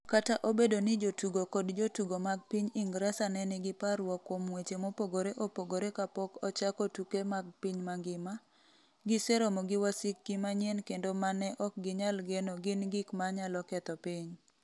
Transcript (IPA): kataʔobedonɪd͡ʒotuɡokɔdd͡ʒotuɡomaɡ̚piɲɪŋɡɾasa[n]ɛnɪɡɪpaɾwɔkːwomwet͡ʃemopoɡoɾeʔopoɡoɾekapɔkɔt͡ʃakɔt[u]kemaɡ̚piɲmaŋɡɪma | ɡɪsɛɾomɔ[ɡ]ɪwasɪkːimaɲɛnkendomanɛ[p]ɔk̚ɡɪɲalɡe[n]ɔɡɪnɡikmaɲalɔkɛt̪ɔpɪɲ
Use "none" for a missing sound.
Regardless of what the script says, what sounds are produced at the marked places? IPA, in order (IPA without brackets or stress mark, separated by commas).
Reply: n, u, ɡ, ʔ, n